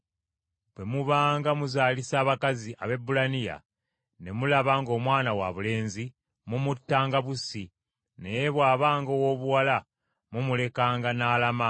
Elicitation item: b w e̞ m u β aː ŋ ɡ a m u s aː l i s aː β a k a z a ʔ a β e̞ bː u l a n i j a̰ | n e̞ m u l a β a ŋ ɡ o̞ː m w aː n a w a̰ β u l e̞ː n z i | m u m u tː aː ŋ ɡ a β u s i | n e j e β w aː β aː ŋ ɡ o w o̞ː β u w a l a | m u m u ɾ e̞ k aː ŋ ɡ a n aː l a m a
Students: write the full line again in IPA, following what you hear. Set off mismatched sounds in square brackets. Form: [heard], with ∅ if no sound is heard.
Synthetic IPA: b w e̞ m u β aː ŋ ɡ a m u [z] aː l i s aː β a k a z [i] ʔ a β e̞ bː u l a n i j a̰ | n e̞ m u l a β a ŋ ɡ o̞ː m w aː n a w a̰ β u l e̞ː n z i | m u m u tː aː ŋ ɡ a β u s i | n e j e β w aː β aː ŋ ɡ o w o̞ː β u w a l a | m u m u [l] e̞ k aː ŋ ɡ a n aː l a m a